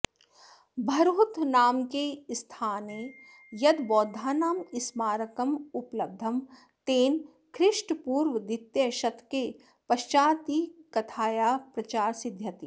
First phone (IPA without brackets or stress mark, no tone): bʱ